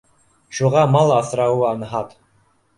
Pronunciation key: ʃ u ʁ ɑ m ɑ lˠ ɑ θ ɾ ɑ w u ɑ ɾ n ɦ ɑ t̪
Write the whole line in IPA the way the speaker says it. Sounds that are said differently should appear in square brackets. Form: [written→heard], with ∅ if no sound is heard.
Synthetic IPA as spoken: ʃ u ʁ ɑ m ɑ lˠ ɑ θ ɾ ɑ w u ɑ [ɾ→∅] n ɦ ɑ t̪